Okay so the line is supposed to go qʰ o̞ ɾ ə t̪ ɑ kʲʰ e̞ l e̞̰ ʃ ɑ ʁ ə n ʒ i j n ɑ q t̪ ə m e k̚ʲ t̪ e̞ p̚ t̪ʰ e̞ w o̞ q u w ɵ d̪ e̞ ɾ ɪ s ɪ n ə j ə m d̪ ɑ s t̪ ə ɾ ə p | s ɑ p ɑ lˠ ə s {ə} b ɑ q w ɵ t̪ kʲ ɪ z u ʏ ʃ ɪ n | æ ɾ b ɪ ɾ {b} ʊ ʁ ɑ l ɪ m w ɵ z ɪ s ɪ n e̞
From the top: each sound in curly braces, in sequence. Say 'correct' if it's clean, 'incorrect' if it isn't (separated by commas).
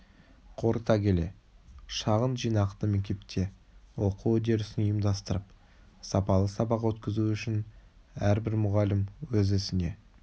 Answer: incorrect, incorrect